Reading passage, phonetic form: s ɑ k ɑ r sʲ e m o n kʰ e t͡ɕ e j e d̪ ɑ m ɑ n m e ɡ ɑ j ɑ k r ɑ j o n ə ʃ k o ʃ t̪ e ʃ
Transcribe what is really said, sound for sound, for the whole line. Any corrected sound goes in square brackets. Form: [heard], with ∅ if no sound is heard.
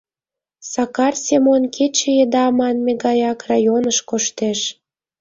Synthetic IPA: s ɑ k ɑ r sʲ e m o n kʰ e t͡ɕ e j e d̪ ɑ m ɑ n m e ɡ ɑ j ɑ k r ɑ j o n ə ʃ k o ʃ t̪ e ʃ